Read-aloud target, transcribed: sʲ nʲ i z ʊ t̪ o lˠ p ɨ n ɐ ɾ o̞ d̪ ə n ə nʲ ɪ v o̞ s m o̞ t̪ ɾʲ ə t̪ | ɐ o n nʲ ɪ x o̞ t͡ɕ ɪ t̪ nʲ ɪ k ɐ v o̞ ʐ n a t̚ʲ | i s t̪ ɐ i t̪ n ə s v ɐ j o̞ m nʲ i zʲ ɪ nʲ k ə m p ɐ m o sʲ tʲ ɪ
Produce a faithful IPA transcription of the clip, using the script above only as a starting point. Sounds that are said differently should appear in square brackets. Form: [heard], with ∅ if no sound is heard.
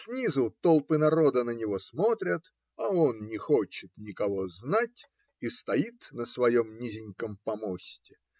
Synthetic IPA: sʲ nʲ i z ʊ t̪ o lˠ p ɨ n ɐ ɾ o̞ d̪ ə n ə nʲ ɪ v o̞ s m o̞ t̪ ɾʲ ə t̪ | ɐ o n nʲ ɪ x o̞ t͡ɕ ɪ t̪ nʲ ɪ k ɐ v o̞ [z] n a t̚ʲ | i s t̪ ɐ i t̪ n ə s v ɐ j o̞ m nʲ i zʲ ɪ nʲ k ə m p ɐ m o sʲ tʲ ɪ

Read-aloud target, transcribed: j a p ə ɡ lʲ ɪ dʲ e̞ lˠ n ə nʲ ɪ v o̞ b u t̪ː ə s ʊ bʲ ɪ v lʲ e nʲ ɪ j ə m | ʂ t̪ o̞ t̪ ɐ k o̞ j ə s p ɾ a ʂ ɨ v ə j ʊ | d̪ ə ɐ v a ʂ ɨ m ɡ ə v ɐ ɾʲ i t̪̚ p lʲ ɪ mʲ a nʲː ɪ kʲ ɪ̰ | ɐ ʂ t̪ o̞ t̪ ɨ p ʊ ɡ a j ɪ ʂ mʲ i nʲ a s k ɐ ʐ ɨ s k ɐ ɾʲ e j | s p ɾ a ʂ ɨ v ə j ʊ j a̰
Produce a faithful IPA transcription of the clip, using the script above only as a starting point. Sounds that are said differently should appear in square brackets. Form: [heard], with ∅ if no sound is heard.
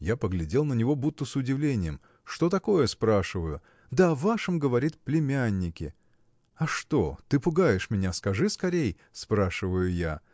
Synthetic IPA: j a p ə ɡ lʲ ɪ dʲ e̞ lˠ n ə nʲ ɪ v o̞ b u t̪ː ə s ʊ [dʲ] ɪ v lʲ e nʲ ɪ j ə m | ʂ t̪ o̞ t̪ ɐ k o̞ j ə s p ɾ a ʂ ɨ v ə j ʊ | d̪ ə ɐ v a ʂ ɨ m ɡ ə v ɐ ɾʲ i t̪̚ p lʲ ɪ mʲ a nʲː ɪ kʲ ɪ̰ | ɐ ʂ t̪ o̞ t̪ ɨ p ʊ ɡ a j ɪ ʂ mʲ [ɪ] nʲ a s k ɐ ʐ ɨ s k ɐ ɾʲ e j | s p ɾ a ʂ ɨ v ə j ʊ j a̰

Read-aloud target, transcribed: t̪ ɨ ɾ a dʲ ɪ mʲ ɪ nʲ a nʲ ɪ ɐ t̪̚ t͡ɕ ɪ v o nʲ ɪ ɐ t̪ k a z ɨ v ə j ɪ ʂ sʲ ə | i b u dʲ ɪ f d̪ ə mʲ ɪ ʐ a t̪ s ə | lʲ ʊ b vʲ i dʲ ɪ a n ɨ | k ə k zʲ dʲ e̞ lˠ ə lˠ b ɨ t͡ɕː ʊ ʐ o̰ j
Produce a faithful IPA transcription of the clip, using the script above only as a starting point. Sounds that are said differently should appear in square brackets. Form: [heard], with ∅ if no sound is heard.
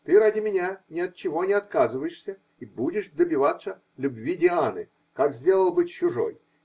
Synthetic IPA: t̪ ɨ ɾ a dʲ ɪ mʲ ɪ nʲ a nʲ ɪ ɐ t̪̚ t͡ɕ ɪ v o nʲ ɪ ɐ t̪ k a z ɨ v ə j ɪ ʂ sʲ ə | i b u dʲ ɪ [ʂ] d̪ ə [bʲ] ɪ [v] a t̪ s ə | lʲ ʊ b vʲ i dʲ ɪ a n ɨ | k [a] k zʲ dʲ e̞ lˠ ə lˠ b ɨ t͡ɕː ʊ ʐ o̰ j

